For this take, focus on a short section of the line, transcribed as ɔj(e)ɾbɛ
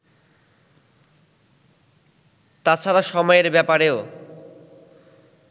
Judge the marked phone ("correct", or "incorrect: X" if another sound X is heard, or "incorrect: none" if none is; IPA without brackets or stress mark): correct